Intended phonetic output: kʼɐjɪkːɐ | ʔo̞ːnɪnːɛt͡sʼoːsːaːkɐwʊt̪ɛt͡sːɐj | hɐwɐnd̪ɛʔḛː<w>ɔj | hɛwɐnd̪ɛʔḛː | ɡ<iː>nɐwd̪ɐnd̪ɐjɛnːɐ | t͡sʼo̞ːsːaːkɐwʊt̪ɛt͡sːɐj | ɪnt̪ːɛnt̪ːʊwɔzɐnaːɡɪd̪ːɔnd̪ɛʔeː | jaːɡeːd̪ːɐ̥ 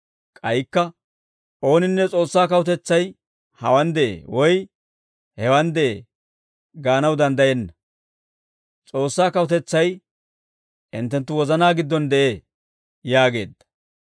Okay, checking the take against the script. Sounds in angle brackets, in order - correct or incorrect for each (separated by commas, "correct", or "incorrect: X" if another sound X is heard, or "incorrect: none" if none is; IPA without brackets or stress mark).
correct, incorrect: aː